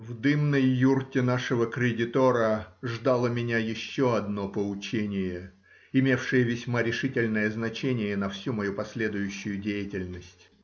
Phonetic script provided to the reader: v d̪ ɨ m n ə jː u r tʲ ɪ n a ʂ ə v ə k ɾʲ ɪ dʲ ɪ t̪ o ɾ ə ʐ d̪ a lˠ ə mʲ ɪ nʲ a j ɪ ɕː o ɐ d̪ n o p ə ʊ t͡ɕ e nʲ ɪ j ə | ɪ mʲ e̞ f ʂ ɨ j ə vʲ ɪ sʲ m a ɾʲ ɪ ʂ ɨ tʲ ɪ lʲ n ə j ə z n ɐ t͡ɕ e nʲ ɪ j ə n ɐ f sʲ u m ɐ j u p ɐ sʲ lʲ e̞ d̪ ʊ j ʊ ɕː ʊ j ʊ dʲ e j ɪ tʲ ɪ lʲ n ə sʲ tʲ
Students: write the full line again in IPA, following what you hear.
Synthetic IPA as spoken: v d̪ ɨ m n ə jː u r tʲ ɪ n a ʂ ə v ə k ɾʲ ɪ dʲ ɪ t̪ o ɾ ə ʐ d̪ a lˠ ə mʲ ɪ nʲ a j ɪ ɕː o ɐ d̪ n o p ə ʊ t͡ɕ e nʲ ɪ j ə | ɪ mʲ e̞ f ʂ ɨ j ə vʲ ɪ sʲ m a ɾʲ ɪ ʂ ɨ tʲ ɪ lʲ n ə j ə z n ɐ t͡ɕ e nʲ ɪ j ə n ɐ f sʲ u m ɐ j u p ɐ sʲ lʲ e̞ d̪ ʊ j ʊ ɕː ʊ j ʊ dʲ e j ɪ tʲ ɪ lʲ n ə sʲ tʲ